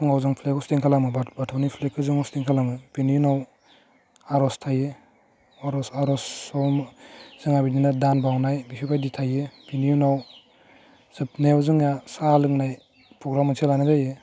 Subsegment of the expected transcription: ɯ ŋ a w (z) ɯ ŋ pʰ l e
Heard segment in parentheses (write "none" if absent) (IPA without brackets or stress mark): z